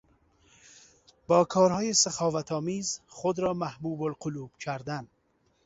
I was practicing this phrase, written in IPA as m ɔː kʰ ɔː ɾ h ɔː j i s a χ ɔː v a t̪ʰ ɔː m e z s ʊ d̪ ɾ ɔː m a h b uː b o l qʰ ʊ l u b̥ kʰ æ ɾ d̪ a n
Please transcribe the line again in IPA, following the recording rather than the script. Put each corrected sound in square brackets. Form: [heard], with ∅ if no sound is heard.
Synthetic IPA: [b] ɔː kʰ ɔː ɾ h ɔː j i s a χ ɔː v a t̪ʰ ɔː m [i] z [χ] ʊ d̪ ɾ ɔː m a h b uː b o l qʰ ʊ l u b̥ kʰ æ ɾ d̪ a n